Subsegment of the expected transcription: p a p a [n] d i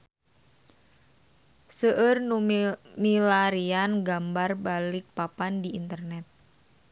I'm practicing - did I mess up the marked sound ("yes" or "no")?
no